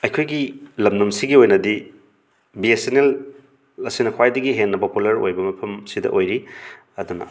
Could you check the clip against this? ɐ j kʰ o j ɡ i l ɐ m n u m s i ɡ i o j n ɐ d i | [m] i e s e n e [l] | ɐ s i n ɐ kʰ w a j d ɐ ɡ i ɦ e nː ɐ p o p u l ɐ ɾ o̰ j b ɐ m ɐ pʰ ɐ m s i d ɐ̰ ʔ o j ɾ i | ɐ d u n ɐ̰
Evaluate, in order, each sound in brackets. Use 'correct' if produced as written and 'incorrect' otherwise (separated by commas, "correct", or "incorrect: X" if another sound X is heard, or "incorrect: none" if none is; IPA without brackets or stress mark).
incorrect: b, correct